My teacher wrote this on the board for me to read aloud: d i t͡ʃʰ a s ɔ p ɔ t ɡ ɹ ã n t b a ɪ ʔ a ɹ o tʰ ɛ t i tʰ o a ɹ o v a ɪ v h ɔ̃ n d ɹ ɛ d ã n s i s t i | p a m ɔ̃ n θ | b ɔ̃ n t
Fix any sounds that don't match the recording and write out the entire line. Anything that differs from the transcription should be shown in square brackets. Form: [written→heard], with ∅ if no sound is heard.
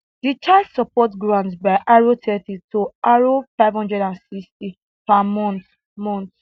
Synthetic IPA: d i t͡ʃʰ a s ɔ p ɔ t ɡ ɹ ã n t b a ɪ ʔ a ɹ o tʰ ɛ t i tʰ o a ɹ o [v→f] a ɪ v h ɔ̃ n d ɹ ɛ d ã n s i s t i | p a m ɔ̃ n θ | [b→m] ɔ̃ n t